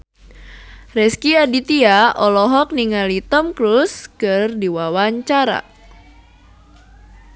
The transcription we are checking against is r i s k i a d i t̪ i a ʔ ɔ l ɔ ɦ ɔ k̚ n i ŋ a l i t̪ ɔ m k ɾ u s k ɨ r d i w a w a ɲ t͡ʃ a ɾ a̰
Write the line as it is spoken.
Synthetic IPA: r ɛ s k i a d i t̪ i a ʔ ɔ l ɔ ɦ ɔ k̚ n i ŋ a l i t̪ ɔ m k ɾ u s k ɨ r d i w a w a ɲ t͡ʃ a ɾ a̰